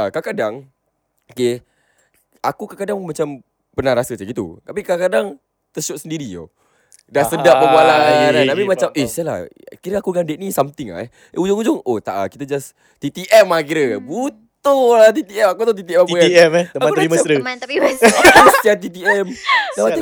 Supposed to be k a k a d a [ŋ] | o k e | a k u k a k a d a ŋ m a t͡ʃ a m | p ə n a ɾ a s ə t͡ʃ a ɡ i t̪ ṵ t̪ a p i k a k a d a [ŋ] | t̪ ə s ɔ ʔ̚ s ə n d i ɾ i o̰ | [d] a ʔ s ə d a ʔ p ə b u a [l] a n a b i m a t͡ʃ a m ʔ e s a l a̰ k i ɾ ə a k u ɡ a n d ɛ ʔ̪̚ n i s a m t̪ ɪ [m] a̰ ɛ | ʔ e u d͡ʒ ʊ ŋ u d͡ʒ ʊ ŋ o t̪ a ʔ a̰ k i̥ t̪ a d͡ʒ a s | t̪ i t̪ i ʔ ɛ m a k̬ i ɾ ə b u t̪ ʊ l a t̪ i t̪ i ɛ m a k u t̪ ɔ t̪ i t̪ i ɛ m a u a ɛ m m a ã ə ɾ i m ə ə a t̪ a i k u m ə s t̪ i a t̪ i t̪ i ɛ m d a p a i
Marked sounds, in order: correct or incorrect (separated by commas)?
correct, correct, correct, correct, incorrect